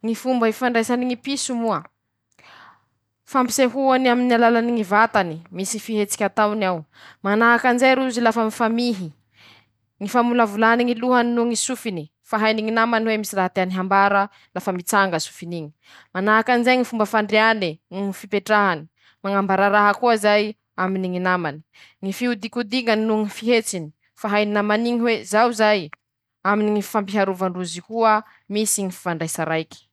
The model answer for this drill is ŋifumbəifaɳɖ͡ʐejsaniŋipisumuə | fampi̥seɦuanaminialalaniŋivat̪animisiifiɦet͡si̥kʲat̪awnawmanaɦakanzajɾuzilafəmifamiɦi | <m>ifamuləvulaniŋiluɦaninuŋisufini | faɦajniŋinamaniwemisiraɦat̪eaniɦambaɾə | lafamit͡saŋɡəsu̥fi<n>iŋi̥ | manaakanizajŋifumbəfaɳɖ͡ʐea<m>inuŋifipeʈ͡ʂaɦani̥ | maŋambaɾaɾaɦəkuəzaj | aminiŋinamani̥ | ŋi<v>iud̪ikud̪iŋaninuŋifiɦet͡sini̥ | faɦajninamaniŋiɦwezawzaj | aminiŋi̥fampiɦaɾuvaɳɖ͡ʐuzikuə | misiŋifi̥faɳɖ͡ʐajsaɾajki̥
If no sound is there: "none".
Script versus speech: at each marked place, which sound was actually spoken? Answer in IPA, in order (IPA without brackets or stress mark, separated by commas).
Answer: ŋ, n, n, f